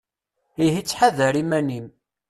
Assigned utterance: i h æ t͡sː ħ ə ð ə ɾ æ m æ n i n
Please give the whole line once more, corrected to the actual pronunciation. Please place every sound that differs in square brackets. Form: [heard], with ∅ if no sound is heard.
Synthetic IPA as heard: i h [i] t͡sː ħ [a] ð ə ɾ [i] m æ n i [m]